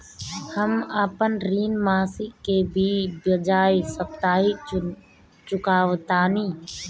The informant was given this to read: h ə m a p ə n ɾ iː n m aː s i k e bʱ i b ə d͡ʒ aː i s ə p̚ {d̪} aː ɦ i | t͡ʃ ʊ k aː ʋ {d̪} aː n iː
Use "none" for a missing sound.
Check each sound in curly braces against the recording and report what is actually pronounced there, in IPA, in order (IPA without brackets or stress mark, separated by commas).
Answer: t̪, t̪